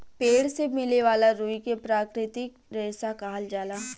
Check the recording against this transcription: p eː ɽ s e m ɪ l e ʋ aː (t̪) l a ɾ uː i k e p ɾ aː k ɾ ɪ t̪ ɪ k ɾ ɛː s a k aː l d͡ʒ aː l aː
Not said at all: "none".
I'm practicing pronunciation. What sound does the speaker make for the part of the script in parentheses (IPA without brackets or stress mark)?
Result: none